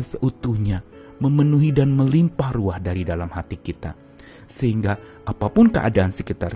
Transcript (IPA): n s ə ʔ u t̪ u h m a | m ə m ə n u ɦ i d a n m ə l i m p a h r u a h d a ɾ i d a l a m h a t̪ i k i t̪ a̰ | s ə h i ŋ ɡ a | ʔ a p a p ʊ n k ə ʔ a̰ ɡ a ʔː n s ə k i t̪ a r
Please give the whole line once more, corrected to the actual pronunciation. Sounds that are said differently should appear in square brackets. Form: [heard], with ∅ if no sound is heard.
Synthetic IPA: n s ə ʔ u t̪ u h [ɲ] a | m ə m ə n u ɦ i d a n m ə l i m p a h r u a h d a ɾ i d a l a m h a t̪ i k i t̪ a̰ | s ə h i ŋ ɡ a | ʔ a p a p ʊ n k ə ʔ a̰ [d] a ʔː n s ə k i t̪ a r